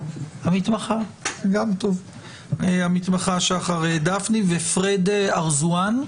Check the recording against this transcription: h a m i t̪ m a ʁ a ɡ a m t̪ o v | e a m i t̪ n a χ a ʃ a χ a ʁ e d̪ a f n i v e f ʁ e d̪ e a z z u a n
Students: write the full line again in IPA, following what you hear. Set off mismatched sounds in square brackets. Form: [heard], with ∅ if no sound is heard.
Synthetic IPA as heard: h a m i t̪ m a [χ] a ɡ a m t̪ o v | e a m i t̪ [m] a χ a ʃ a χ a ʁ e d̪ a f n i v e f ʁ e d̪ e a [ʁ] z u a n